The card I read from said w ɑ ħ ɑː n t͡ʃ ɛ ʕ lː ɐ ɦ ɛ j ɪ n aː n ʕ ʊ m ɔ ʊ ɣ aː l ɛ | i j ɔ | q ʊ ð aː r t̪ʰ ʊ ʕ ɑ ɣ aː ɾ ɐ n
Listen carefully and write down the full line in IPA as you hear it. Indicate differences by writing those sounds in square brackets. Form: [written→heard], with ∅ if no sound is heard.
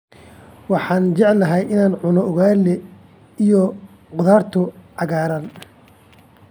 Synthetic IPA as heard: w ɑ ħ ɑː n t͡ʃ ɛ ʕ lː ɐ ɦ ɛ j ɪ n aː n ʕ ʊ [m→n] ɔ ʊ ɣ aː l ɛ | i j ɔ | q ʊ ð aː r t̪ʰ ʊ ʕ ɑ ɣ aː ɾ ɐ n

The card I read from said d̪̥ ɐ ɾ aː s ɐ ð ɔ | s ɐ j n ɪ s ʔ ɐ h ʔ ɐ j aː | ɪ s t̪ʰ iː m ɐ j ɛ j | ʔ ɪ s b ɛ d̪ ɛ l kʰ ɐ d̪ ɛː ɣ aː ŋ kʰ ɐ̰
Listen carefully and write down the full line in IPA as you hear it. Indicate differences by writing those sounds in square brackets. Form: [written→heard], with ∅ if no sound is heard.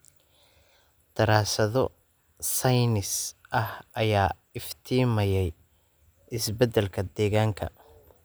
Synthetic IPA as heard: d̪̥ ɐ ɾ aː s ɐ ð ɔ | s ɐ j n ɪ s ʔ ɐ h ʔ ɐ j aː | ɪ [s→f] t̪ʰ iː m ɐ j ɛ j | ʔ ɪ s b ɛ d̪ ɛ l kʰ ɐ d̪ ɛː ɣ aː ŋ kʰ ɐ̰

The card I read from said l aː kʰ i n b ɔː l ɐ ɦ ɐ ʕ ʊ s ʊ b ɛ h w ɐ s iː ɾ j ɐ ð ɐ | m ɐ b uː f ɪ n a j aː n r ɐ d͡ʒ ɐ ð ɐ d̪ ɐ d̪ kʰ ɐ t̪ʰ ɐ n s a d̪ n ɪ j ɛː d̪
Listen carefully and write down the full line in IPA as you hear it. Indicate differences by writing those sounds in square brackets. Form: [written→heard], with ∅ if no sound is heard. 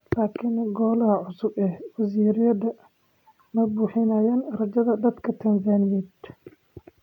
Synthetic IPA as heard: l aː kʰ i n [b→ɡ] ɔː l ɐ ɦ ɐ ʕ ʊ s ʊ b ɛ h w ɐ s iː ɾ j ɐ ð ɐ | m ɐ b uː [f→ħ] ɪ n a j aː n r ɐ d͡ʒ ɐ ð ɐ d̪ ɐ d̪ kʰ ɐ t̪ʰ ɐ n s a [d̪→∅] n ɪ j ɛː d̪

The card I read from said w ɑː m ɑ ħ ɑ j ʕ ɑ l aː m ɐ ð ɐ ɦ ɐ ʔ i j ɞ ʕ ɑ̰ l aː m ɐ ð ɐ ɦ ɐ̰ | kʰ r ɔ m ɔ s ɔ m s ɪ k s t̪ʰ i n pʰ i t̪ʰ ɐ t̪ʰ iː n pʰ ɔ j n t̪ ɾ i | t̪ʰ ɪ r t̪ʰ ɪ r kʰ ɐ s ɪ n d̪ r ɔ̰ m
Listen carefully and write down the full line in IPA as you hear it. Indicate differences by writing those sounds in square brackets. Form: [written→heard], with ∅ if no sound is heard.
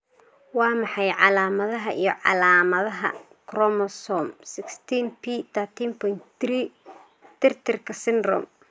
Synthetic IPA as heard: w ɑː m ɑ ħ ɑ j ʕ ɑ l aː m ɐ ð ɐ ɦ ɐ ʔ i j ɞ ʕ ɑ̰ l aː m ɐ ð ɐ ɦ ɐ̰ | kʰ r ɔ m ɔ s ɔ m s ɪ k s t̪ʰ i n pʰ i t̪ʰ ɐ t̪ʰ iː n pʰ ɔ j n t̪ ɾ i | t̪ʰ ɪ r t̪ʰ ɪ r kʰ ɐ s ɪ n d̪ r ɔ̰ m

